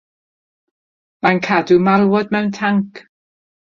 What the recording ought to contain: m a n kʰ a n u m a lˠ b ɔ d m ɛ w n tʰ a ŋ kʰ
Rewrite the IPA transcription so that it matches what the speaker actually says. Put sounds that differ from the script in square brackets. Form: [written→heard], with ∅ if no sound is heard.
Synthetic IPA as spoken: m a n kʰ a [n→d] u m a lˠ [b→w] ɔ d m ɛ w n tʰ a ŋ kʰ